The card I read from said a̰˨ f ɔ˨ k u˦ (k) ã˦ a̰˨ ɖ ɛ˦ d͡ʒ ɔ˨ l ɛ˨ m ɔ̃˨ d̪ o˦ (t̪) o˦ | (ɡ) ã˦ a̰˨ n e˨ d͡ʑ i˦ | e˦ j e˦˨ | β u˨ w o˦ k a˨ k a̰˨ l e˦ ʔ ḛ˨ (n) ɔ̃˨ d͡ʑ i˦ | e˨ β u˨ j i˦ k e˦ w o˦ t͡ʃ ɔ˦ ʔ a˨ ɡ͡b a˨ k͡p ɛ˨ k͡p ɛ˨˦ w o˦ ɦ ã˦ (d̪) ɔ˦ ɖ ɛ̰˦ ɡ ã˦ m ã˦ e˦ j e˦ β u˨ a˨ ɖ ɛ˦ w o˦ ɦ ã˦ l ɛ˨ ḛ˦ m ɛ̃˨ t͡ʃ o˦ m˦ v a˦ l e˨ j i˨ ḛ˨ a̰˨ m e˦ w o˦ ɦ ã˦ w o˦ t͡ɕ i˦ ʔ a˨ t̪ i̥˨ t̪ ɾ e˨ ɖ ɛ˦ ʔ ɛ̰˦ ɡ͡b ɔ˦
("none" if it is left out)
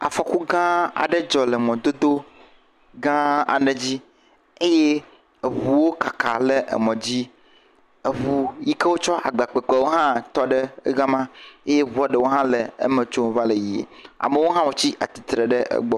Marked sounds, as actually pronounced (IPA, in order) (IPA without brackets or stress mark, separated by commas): ɡ, d̪, ɡ, m, t̪